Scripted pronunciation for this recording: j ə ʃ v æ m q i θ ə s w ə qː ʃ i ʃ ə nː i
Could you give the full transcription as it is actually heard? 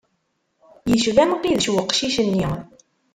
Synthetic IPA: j ə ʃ v æ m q i ð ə ʃ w ə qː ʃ i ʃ ə nː i